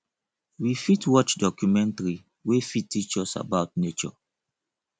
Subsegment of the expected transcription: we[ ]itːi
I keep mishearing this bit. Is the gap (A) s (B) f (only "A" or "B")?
B